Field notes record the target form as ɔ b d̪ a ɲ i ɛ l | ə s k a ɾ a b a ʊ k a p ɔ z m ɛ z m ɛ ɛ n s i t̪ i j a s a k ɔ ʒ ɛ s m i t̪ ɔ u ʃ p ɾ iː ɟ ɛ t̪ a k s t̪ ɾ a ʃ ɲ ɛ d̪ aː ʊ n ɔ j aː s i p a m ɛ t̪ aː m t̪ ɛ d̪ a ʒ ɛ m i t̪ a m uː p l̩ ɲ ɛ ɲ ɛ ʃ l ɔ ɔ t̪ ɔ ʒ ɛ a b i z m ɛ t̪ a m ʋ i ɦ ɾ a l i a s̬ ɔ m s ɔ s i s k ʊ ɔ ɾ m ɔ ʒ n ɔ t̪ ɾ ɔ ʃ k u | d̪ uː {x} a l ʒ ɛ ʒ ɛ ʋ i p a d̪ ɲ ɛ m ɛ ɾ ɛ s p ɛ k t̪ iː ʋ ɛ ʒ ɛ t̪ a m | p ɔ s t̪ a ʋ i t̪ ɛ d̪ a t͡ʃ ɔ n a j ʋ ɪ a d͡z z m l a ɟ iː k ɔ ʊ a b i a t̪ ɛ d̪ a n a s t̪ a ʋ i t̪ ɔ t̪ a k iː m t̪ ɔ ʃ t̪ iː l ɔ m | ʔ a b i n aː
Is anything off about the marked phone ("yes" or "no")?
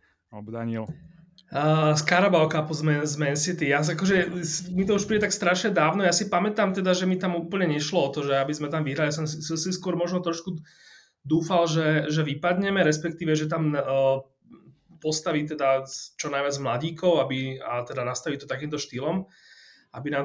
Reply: yes